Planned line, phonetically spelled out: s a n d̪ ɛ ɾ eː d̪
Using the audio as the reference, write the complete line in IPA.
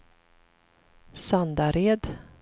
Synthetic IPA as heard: s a n d̪ a ɾ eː d̪